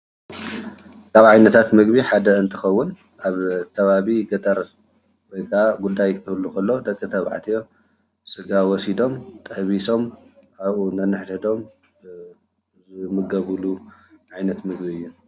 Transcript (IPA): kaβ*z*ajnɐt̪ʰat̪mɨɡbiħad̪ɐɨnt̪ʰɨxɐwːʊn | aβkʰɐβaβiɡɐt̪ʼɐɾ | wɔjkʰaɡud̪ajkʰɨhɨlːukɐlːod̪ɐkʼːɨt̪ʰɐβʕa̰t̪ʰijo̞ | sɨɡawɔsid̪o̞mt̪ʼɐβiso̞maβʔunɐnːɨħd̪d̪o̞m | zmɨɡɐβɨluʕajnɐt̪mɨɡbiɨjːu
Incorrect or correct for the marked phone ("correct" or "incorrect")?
incorrect